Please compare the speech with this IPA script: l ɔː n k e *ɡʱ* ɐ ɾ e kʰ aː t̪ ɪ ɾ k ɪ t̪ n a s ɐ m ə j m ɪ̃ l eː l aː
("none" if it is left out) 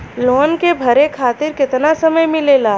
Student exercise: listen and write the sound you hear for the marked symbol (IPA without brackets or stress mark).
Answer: bʱ